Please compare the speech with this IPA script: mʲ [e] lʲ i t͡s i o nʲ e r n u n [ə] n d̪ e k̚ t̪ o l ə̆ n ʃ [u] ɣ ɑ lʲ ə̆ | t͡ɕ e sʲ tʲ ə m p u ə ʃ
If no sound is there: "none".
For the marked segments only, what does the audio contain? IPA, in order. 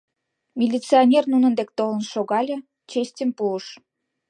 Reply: i, ə, o

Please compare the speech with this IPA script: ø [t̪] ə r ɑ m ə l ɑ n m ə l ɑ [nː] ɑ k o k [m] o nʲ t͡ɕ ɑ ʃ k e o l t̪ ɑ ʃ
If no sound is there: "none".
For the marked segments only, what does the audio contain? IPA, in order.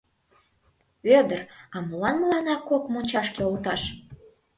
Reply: d̪, n, m

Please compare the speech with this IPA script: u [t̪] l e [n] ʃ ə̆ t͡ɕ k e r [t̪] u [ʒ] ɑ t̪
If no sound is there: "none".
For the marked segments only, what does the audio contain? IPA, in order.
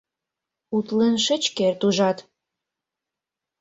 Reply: t̪, n, t̪, ʒ

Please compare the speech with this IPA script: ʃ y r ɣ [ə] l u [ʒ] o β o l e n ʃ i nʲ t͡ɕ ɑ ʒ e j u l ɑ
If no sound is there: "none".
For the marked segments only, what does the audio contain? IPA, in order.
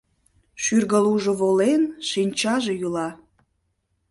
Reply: ə, ʒ

